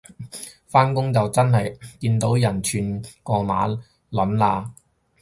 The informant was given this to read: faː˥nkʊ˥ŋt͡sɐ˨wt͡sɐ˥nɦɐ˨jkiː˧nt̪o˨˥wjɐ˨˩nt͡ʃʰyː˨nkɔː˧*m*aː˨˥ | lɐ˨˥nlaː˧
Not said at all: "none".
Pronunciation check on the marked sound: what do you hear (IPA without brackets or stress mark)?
m